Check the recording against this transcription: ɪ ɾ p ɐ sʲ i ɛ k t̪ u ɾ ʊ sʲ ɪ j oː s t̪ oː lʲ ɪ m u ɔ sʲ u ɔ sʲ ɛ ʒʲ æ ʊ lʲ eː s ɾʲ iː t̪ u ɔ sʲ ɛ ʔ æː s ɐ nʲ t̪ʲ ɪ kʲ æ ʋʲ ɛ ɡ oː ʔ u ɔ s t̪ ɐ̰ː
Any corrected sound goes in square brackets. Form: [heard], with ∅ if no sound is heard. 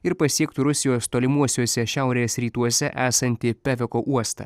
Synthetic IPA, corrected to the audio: ɪ ɾ p ɐ sʲ i ɛ k t̪ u ɾ ʊ sʲ ɪ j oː s t̪ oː lʲ ɪ m u ɔ sʲ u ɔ sʲ ɛ [ʃʲ] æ ʊ [ɾʲ] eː s ɾʲ iː t̪ u ɔ sʲ ɛ ʔ æː s ɐ nʲ t̪ʲ ɪ [pʲ] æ ʋʲ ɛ [k] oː ʔ u ɔ s t̪ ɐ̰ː